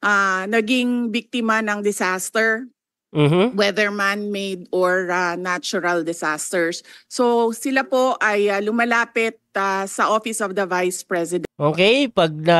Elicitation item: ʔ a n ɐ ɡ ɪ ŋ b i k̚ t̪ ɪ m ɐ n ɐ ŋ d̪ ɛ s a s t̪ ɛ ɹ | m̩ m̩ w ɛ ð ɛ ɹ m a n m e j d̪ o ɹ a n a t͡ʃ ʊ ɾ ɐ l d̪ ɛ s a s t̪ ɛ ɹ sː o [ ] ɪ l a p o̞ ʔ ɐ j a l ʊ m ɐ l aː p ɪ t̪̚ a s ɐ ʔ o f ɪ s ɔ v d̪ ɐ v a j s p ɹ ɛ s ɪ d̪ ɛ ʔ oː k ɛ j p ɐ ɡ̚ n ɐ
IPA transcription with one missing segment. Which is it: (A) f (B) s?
B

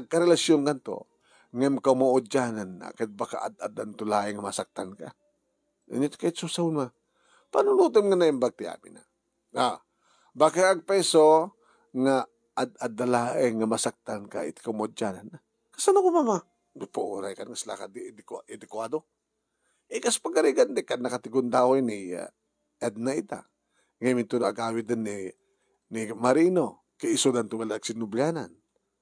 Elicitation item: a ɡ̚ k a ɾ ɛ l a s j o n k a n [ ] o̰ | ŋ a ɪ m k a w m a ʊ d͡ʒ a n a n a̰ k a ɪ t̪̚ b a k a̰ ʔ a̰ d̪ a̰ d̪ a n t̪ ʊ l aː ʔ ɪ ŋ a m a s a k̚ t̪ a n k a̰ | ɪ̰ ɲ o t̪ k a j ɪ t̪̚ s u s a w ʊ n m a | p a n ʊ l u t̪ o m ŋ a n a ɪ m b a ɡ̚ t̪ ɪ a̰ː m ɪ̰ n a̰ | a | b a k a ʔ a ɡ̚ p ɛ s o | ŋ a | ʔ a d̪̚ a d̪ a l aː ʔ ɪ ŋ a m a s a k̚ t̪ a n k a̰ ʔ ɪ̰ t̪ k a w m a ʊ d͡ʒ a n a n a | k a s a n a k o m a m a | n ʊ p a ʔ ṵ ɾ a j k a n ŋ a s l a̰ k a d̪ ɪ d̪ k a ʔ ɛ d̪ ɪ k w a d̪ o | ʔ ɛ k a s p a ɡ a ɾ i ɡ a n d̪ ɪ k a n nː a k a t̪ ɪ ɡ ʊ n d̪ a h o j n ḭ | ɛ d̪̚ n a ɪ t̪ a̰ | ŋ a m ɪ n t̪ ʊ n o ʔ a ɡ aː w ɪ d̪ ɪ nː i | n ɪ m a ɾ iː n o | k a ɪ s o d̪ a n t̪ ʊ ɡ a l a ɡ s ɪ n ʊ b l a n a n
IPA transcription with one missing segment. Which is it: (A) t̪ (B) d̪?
A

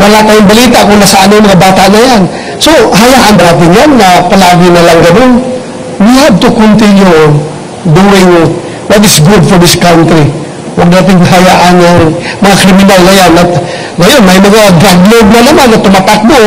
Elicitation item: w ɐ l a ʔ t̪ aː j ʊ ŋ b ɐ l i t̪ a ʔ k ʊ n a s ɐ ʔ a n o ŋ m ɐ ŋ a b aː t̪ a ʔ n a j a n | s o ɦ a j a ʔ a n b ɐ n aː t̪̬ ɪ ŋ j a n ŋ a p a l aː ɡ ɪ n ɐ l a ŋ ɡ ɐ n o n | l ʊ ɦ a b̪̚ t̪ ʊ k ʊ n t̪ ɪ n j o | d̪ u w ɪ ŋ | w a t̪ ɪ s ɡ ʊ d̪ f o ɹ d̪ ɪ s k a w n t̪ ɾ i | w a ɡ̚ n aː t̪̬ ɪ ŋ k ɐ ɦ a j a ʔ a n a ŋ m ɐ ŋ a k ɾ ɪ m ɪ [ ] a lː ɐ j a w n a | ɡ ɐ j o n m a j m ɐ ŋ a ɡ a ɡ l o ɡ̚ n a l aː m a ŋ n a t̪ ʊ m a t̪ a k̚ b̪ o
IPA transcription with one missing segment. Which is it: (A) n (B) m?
A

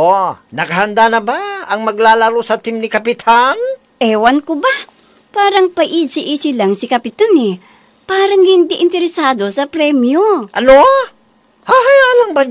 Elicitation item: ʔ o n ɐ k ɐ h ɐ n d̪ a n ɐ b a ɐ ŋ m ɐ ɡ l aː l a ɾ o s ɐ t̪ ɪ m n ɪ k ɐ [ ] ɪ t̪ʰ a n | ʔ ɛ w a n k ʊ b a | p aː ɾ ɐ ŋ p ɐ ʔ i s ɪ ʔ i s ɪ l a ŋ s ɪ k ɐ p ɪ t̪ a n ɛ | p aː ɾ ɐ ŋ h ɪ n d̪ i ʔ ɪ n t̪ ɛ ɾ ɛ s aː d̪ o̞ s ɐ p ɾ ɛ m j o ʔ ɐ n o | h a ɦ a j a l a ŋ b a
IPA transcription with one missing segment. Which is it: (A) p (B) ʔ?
A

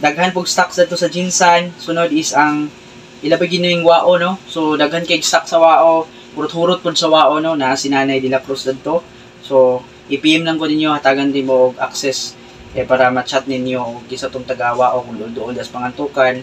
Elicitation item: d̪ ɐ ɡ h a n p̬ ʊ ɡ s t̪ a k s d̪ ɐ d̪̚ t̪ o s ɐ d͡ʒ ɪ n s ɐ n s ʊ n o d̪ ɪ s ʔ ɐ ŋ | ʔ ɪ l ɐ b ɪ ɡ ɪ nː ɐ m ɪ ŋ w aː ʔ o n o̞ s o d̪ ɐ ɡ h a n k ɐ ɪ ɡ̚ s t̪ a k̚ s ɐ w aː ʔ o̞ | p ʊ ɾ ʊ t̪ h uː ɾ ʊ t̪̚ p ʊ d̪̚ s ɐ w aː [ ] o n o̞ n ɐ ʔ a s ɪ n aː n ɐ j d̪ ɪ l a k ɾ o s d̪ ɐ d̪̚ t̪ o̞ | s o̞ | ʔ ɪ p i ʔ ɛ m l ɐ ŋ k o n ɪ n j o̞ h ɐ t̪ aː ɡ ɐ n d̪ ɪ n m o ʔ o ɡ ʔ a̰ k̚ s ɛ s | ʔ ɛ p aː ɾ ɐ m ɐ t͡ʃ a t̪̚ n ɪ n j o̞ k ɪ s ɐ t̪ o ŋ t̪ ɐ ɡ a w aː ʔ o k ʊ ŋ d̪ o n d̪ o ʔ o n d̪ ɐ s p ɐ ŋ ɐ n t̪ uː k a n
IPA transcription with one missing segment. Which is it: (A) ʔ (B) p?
A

